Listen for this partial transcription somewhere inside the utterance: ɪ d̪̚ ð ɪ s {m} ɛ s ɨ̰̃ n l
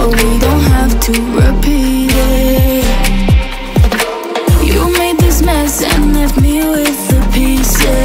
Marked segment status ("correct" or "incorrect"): correct